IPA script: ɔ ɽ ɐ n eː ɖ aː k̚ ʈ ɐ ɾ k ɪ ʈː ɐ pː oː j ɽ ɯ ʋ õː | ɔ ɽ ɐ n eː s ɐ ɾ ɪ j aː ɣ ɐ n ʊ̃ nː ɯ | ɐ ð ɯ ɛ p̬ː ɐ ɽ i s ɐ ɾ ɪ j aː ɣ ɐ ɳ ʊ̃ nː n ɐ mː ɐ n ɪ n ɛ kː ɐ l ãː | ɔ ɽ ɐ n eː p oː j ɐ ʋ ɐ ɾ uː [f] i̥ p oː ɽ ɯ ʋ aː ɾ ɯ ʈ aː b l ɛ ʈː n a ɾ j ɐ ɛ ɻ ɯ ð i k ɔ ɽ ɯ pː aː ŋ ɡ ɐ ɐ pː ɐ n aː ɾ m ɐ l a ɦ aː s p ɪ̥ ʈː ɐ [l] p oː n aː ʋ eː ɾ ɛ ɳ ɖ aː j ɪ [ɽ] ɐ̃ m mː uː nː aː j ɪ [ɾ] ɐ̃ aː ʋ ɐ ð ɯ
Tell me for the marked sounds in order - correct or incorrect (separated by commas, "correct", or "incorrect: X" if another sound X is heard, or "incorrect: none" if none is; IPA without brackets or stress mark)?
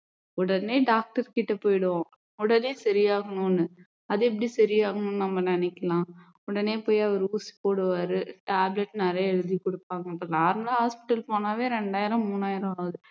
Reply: incorrect: s, correct, incorrect: ɾ, correct